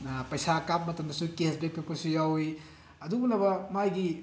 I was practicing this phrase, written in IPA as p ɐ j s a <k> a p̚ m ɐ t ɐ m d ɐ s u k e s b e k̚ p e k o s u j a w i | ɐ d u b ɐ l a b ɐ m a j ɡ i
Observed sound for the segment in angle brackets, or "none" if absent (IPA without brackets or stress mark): k